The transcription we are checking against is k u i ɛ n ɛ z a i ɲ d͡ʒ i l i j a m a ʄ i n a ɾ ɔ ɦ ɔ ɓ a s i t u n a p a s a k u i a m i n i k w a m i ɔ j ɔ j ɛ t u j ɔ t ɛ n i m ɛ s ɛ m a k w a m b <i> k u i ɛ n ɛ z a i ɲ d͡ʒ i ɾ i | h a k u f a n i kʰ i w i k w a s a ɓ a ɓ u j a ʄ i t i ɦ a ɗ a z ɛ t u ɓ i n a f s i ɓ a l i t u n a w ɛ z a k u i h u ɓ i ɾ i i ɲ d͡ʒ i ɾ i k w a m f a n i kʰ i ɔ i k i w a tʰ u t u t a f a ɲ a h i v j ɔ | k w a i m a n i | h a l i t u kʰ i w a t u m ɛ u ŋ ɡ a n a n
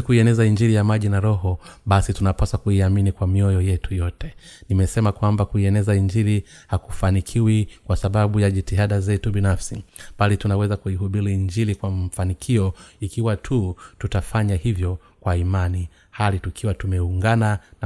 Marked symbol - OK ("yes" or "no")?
no